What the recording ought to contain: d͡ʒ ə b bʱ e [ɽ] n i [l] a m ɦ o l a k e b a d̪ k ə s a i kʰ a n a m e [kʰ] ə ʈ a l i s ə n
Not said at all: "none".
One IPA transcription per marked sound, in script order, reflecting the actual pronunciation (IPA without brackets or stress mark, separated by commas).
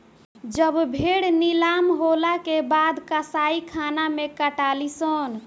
ɽ, l, k